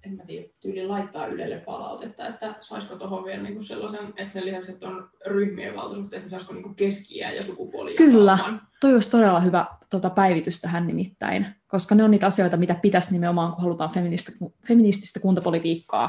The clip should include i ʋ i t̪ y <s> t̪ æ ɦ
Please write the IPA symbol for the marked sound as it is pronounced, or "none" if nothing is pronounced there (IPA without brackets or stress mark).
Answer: s